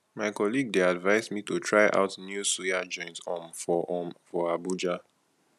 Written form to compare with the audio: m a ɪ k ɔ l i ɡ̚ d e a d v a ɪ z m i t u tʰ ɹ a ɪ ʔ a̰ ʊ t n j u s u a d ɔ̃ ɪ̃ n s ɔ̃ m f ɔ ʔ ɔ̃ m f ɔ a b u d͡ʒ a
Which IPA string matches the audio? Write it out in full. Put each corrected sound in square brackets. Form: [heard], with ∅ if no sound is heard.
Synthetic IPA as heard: m a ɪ k ɔ l i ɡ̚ d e a d v a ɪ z m i t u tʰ ɹ a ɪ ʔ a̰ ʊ t n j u s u a [d͡ʒ] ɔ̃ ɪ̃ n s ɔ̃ m f ɔ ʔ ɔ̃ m f ɔ a b u d͡ʒ a